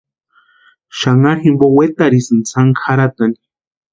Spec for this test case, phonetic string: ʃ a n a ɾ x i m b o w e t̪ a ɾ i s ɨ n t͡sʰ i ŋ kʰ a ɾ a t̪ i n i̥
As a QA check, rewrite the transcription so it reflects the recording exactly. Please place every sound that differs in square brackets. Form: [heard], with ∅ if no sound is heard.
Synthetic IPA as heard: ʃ a [ŋ] a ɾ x i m b o w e t̪ a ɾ i s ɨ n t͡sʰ [a] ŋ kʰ a ɾ a t̪ [a] n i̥